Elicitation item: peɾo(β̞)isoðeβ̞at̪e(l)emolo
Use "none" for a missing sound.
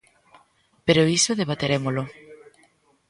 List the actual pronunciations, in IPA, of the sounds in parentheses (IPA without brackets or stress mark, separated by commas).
none, ɾ